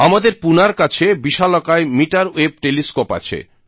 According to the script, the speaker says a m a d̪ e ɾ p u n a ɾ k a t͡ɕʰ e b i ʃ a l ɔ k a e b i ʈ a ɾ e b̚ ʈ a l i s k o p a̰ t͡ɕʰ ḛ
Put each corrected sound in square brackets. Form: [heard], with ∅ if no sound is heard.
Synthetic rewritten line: a m a d̪ e ɾ p u n a ɾ k a t͡ɕʰ e b i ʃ a l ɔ k a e [m] i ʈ a ɾ e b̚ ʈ [e] l i s k o p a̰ t͡ɕʰ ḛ

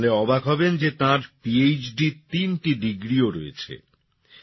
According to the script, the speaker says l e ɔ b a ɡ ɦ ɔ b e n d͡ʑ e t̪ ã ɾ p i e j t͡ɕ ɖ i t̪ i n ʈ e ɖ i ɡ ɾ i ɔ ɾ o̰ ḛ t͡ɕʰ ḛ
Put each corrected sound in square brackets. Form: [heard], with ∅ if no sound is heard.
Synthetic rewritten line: l e ɔ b a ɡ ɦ ɔ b e n d͡ʑ e t̪ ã ɾ p i e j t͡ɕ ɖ i t̪ i n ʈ [i] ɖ i ɡ ɾ i [o] ɾ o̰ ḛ t͡ɕʰ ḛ

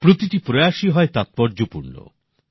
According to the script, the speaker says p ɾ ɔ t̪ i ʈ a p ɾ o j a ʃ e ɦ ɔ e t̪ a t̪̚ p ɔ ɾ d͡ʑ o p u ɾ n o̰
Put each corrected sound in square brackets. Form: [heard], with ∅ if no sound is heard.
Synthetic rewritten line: p ɾ [o] t̪ i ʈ [i] p ɾ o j a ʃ [i] ɦ ɔ e t̪ a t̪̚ p ɔ ɾ d͡ʑ o p u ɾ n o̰

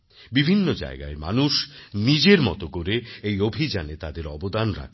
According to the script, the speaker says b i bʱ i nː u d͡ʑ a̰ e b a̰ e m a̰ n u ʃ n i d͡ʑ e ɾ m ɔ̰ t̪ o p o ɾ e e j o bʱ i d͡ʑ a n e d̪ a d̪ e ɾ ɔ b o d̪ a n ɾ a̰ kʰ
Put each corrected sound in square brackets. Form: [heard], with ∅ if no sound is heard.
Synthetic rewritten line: b i bʱ i nː [o] d͡ʑ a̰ e [ɡ] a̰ e m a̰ n u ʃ n i d͡ʑ e ɾ m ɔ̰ t̪ o [k] o ɾ e e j o bʱ i d͡ʑ a n e [t̪] a d̪ e ɾ ɔ b o d̪ a n ɾ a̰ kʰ

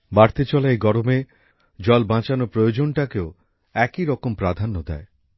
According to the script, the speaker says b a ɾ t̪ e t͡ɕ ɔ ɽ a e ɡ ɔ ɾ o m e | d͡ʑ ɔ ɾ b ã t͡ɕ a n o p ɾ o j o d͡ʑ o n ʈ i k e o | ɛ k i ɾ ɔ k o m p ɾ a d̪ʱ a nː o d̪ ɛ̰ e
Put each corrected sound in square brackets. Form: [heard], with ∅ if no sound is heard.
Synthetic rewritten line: b a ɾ t̪ e t͡ɕ ɔ [l] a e ɡ ɔ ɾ o m e | d͡ʑ ɔ [l] b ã t͡ɕ a n o p ɾ o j o d͡ʑ o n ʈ [a] k e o | ɛ k i ɾ ɔ k o m p ɾ a d̪ʱ a nː o d̪ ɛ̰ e

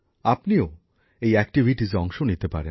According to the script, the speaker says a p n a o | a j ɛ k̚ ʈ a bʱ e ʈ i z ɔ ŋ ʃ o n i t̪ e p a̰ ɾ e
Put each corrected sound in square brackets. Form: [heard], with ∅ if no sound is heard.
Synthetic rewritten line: a p n [i] o | [e] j ɛ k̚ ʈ [i] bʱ [i] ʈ i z ɔ ŋ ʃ o n i t̪ e p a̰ ɾ e

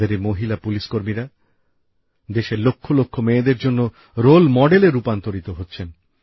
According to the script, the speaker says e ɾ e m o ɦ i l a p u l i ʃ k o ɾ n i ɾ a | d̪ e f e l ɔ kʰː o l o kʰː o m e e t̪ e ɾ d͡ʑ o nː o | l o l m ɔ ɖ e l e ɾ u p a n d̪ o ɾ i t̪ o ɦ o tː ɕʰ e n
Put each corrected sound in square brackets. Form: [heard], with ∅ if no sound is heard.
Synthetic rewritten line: e ɾ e m o ɦ i l a p u l i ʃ k o ɾ [m] i ɾ a | d̪ e [ʃ] e l [o] kʰː o l o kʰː o m e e [d̪] e ɾ d͡ʑ o nː o | [ɾ] o l m ɔ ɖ e l e ɾ u p a n [t̪] o ɾ i t̪ o ɦ o tː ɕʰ e n

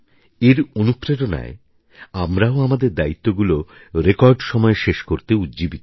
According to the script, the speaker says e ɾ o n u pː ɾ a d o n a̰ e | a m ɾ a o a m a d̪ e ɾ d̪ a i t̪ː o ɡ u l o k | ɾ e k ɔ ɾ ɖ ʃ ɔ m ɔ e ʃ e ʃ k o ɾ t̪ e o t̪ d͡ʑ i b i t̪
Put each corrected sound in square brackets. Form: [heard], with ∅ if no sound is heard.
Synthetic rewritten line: e ɾ o n u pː ɾ [e] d o n a̰ e | a m ɾ a o a m a d̪ e ɾ d̪ a i t̪ː o ɡ u l o [∅] | ɾ e k ɔ ɾ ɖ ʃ ɔ m ɔ e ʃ e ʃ k o ɾ t̪ e [u] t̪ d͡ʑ i b i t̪

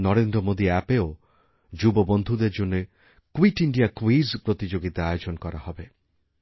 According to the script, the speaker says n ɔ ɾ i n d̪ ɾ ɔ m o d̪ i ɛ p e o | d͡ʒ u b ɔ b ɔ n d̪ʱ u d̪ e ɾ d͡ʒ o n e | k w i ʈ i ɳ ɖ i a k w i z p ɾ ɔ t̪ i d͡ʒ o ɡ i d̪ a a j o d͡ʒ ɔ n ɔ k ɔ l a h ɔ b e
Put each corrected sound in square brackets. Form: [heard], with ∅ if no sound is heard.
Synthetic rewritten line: n ɔ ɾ [e] n d̪ ɾ ɔ m o d̪ i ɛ p e o | d͡ʒ u b ɔ b ɔ n d̪ʱ u d̪ e ɾ d͡ʒ o n e | k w i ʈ i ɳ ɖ i a k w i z p ɾ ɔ t̪ i d͡ʒ o ɡ i [t̪] a a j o d͡ʒ ɔ n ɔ k ɔ [ɾ] a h ɔ b e

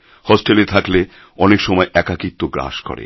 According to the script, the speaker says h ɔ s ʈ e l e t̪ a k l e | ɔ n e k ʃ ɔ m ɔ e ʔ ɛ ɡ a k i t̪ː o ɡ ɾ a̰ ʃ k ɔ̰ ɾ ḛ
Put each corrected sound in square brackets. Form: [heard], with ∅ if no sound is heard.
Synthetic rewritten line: h ɔ s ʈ e l e [t̪ʰ] a k l e | ɔ n e k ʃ ɔ m ɔ e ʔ ɛ [k] a k i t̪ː o ɡ ɾ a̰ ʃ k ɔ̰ ɾ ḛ

